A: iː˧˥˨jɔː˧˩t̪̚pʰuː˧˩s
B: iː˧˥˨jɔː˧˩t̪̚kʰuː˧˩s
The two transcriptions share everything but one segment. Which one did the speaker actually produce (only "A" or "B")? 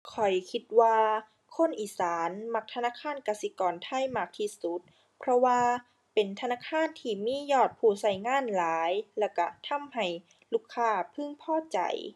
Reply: A